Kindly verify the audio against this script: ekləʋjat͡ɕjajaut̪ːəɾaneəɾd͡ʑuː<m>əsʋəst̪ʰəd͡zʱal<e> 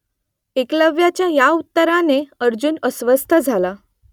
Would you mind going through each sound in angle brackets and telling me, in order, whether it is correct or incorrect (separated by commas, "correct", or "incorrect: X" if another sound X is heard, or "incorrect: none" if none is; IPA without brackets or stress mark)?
incorrect: n, incorrect: a